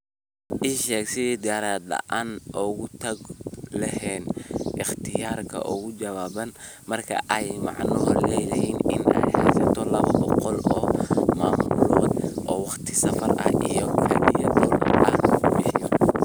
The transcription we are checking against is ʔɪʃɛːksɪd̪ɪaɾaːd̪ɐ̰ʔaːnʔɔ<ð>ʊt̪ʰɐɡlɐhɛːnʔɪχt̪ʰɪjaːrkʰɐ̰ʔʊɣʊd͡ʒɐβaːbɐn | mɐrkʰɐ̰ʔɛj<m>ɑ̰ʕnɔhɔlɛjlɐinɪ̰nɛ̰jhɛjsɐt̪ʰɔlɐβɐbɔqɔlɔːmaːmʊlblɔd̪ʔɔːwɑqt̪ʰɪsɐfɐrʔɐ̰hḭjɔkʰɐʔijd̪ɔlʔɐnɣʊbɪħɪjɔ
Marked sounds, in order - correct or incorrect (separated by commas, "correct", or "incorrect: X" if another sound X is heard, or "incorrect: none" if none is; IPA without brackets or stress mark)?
incorrect: ɣ, correct